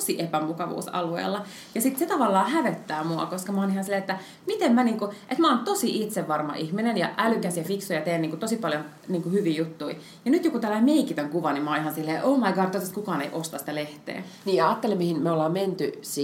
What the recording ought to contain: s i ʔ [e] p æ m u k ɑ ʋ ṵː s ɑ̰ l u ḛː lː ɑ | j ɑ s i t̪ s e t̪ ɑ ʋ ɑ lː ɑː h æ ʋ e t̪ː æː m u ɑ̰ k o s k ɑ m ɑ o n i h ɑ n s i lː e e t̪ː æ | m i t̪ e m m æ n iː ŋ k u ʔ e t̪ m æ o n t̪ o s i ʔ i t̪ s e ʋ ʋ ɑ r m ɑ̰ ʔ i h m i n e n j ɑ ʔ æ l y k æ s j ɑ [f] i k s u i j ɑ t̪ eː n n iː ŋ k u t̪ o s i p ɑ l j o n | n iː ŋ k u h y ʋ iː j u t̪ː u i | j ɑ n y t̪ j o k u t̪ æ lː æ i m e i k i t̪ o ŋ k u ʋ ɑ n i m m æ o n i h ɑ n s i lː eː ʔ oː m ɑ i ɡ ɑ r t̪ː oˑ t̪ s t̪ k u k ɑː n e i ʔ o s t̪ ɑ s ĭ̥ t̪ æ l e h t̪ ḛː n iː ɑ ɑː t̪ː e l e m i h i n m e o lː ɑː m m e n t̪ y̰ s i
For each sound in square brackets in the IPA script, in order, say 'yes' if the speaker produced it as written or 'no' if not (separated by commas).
yes, yes